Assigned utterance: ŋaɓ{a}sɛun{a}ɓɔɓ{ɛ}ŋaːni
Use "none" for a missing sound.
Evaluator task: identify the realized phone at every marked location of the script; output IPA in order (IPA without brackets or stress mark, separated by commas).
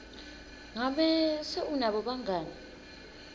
ɛ, a, a